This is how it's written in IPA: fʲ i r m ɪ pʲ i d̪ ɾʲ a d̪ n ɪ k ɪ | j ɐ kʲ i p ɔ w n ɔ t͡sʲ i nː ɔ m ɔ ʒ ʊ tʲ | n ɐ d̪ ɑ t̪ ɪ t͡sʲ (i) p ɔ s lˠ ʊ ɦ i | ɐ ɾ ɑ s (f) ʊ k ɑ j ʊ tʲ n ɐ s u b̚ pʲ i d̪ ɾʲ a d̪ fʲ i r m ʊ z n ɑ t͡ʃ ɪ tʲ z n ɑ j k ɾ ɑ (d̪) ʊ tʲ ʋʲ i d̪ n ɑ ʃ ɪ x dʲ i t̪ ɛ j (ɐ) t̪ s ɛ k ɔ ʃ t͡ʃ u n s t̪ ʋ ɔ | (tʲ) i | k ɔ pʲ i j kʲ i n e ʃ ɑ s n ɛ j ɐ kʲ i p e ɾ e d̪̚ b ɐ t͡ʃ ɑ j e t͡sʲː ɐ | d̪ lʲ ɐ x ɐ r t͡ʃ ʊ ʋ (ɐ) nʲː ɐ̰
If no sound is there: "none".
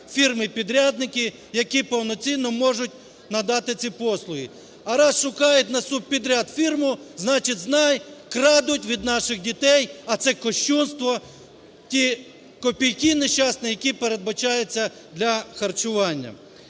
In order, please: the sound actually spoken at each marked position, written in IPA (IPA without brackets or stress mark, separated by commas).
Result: i, ʃ, d̪, ɐ, tʲ, ɑ